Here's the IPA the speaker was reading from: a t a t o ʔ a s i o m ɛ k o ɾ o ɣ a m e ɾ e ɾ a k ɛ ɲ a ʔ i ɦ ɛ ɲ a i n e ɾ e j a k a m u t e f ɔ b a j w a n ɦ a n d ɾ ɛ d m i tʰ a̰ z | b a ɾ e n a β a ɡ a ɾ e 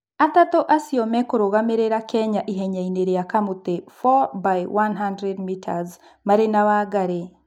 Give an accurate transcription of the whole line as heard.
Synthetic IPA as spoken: a t a t o ʔ a s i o m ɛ k o ɾ o ɣ a m e ɾ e ɾ a k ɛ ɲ a ʔ i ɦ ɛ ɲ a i n e ɾ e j a k a m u t e f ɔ b a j w a n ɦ a n d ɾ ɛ d m i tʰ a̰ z | m a ɾ e n a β a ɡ a ɾ e